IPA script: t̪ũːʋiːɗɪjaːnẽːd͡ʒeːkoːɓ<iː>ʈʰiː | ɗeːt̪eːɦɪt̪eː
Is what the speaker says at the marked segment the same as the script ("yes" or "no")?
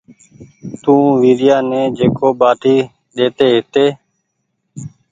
no